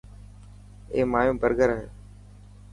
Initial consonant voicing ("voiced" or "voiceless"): voiced